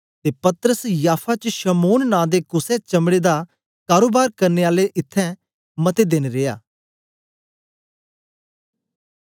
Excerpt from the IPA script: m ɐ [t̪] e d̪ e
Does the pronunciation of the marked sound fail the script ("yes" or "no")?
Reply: no